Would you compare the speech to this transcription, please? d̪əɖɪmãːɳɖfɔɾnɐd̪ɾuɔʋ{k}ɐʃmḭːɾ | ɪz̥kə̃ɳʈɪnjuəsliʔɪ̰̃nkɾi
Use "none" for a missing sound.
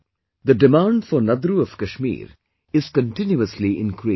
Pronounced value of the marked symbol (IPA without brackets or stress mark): k